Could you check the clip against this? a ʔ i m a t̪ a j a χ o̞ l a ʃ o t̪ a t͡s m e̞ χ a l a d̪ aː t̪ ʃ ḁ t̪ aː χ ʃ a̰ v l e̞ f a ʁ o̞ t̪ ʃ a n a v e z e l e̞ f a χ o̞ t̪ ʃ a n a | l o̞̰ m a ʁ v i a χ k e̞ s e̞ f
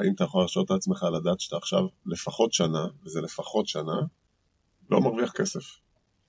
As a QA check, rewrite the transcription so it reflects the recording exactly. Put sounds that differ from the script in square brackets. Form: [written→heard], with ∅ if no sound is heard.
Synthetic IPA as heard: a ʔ i m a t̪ a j a χ o̞ l a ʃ o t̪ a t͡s m e̞ χ a l a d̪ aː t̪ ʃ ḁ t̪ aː χ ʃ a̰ v l e̞ f a [ʁ→χ] o̞ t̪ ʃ a n a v e z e l e̞ f a χ o̞ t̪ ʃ a n a | l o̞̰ m a ʁ v i a χ k e̞ s e̞ f